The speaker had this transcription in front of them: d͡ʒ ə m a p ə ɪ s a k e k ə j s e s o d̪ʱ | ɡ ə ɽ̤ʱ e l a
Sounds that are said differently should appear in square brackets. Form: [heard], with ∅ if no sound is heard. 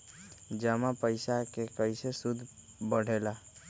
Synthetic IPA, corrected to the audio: d͡ʒ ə m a p ə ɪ s a k e k ə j s e s [u] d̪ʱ | [b] ə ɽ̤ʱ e l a